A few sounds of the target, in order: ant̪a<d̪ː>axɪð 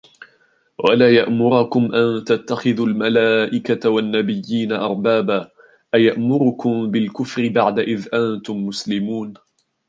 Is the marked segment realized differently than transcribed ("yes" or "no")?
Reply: yes